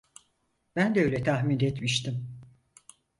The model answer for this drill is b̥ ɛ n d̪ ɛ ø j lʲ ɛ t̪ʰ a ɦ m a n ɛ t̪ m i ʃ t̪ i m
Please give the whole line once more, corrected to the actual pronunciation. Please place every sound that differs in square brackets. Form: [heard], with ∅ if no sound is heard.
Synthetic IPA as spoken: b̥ [æ] n d̪ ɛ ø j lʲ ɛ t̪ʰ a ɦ m [i] n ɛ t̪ m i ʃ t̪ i m